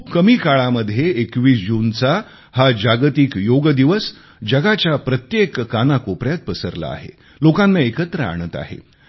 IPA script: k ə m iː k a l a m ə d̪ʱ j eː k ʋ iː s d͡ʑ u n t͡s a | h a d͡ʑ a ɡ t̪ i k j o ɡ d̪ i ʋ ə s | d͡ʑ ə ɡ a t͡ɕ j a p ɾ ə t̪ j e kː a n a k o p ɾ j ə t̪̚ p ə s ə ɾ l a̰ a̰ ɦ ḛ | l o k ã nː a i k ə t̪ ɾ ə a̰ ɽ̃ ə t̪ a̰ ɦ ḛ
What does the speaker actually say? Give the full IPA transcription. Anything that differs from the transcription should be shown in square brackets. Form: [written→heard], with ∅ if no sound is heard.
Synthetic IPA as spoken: k ə m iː k a [l→ɭ] a m ə d̪ʱ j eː k ʋ iː s d͡ʑ u n t͡s a | h a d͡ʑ a ɡ t̪ i k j o ɡ d̪ i ʋ ə s | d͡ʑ ə ɡ a t͡ɕ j a p ɾ ə t̪ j e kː a n a k o p ɾ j [ə→a] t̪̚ p ə s ə ɾ l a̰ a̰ ɦ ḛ | l o k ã nː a [i→e] k ə t̪ ɾ ə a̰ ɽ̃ ə t̪ a̰ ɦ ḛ